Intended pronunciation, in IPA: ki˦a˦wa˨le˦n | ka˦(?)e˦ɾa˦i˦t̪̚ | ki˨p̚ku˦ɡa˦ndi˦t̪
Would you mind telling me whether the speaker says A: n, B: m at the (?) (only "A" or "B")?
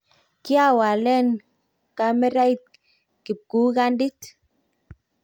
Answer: B